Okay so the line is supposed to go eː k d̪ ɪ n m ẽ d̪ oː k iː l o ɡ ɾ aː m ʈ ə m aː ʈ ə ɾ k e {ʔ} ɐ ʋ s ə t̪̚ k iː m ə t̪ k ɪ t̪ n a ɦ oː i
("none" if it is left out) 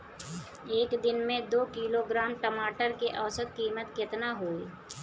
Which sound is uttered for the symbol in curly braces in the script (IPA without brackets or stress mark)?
ʔ